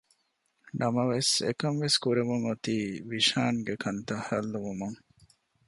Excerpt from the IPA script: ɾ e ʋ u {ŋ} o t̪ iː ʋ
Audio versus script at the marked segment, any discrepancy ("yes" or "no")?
no